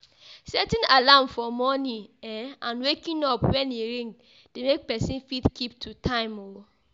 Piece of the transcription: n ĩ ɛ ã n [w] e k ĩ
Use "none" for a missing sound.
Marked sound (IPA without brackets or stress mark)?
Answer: w